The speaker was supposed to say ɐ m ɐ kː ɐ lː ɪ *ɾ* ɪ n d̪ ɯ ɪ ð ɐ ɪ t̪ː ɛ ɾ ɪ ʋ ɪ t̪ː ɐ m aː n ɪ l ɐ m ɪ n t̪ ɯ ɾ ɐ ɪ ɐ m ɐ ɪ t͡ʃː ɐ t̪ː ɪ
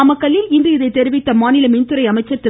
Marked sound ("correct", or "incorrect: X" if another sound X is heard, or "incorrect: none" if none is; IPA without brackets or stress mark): incorrect: l